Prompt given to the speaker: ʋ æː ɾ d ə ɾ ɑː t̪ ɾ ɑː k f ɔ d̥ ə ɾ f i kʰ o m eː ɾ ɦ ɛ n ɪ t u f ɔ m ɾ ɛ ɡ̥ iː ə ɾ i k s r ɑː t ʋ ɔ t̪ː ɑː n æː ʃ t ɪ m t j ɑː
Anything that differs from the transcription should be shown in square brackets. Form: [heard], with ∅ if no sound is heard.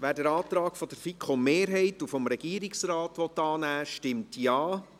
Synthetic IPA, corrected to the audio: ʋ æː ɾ d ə ɾ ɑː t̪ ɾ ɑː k f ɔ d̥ ə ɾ f i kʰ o m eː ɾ ɦ ɛ [∅] ɪ t u f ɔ m ɾ ɛ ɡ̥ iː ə ɾ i k s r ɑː t ʋ ɔ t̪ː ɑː n æː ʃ t ɪ m t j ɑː